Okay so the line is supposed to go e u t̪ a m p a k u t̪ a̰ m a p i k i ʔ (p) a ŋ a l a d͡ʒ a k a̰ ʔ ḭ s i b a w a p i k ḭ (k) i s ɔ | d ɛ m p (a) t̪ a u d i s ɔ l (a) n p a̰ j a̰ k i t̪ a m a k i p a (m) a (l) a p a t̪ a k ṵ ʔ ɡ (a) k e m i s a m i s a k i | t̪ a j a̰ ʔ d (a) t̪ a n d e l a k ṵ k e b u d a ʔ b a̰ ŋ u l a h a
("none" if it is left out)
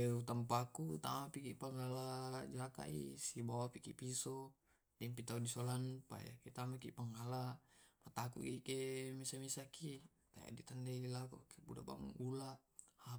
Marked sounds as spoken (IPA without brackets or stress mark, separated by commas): p, p, i, a, ŋ, l, i, i